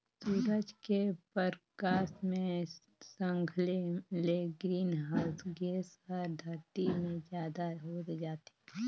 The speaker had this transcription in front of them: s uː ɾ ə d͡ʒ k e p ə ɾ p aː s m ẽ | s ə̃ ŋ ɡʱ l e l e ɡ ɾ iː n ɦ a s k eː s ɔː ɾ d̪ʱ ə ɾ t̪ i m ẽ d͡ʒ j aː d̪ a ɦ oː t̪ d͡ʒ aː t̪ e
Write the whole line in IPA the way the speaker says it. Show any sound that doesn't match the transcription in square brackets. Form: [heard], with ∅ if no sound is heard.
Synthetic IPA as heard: s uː ɾ ə d͡ʒ k e p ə ɾ [k] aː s m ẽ | s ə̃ ŋ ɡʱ l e l e ɡ ɾ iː n ɦ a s [ɡ] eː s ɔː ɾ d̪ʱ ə ɾ t̪ i m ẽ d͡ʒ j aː d̪ a ɦ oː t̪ d͡ʒ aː t̪ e